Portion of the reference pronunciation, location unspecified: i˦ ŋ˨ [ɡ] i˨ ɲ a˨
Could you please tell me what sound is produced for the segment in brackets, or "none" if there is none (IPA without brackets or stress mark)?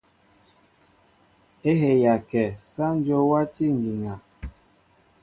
ɡ